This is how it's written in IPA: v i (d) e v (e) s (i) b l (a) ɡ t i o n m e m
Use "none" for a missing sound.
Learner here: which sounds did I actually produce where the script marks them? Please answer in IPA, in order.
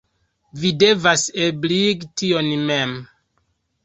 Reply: d, a, e, i

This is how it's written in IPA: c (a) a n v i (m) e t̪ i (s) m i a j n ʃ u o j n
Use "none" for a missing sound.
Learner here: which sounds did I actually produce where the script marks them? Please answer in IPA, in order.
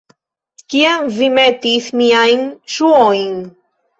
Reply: i, m, θ

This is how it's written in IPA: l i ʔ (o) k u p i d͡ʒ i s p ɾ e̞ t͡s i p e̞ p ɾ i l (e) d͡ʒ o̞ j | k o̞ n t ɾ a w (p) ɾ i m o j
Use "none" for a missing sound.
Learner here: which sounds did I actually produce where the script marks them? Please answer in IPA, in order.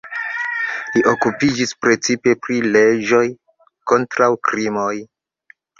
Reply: o, e, k

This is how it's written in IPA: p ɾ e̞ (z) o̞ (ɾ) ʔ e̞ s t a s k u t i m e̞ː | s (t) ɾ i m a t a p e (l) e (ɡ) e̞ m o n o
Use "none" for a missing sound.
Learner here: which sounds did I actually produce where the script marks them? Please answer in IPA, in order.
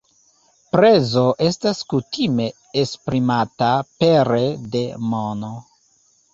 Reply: z, none, p, ɾ, d

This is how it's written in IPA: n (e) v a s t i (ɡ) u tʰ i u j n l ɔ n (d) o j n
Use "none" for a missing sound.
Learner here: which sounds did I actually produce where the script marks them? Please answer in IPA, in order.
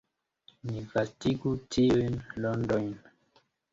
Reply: i, ɡ, d

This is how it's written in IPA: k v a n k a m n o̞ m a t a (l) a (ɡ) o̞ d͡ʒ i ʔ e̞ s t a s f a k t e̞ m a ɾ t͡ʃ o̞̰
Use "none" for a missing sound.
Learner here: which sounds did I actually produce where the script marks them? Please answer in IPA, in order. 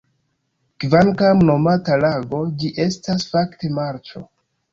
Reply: l, ɡ

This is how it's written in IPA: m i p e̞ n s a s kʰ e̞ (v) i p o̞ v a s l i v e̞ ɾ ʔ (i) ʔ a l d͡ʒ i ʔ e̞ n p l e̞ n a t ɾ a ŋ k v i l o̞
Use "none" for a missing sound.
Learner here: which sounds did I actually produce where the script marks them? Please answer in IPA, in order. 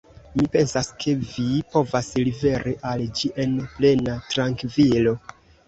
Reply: v, i

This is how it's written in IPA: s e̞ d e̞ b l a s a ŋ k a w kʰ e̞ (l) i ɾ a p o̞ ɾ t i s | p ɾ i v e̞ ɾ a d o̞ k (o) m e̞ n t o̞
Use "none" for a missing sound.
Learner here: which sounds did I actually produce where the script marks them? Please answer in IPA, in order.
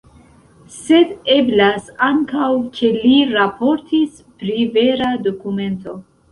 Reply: l, u

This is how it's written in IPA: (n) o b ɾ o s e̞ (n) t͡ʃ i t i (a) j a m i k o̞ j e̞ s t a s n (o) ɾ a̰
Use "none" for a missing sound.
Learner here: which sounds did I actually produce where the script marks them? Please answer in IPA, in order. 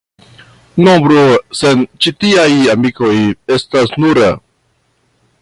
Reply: n, n, a, u

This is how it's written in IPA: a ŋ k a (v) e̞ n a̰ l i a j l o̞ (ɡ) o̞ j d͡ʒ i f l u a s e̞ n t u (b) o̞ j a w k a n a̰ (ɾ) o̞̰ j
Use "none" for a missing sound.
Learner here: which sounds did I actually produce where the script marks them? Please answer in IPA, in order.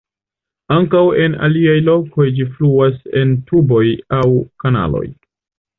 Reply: w, k, b, l

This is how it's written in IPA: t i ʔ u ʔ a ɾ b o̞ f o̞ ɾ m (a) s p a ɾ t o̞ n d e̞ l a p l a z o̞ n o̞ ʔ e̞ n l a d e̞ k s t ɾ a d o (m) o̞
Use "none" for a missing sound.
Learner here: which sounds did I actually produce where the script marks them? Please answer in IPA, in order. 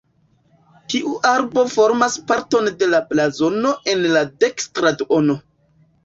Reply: a, n

